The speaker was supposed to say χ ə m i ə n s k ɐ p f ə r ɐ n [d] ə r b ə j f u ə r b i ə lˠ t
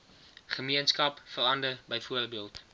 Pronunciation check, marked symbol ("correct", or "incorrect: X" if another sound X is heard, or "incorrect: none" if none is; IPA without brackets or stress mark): correct